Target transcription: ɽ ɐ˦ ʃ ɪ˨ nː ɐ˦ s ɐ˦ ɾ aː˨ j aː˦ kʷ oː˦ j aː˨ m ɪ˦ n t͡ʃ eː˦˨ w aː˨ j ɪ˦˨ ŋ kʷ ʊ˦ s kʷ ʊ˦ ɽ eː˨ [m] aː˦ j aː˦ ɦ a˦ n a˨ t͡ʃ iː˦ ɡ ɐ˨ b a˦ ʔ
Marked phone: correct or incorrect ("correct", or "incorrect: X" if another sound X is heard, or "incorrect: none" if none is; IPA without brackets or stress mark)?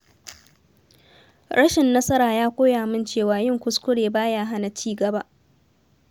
incorrect: b